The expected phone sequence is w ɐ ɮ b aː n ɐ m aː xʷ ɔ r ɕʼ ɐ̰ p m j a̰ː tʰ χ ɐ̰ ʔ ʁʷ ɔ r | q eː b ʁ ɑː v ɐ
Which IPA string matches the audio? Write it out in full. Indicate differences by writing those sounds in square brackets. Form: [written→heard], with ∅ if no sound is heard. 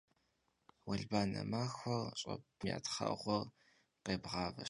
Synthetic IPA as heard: w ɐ ɮ b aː n ɐ m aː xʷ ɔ r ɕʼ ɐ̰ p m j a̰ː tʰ χ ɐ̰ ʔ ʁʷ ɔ r | q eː b ʁ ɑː v ɐ